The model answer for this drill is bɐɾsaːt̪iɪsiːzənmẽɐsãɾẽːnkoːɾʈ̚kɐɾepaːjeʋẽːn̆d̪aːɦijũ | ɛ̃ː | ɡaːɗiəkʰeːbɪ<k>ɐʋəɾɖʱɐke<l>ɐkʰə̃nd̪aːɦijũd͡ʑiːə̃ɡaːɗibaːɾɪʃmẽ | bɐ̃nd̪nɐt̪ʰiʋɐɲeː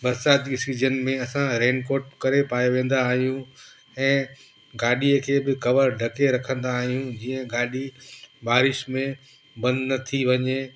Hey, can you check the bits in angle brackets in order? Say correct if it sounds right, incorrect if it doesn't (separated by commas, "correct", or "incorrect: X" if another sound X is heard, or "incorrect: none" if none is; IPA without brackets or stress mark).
correct, incorrect: ɾ